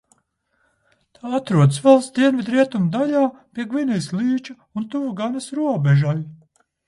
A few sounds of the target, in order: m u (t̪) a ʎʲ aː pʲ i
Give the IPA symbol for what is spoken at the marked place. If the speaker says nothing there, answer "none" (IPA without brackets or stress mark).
d̪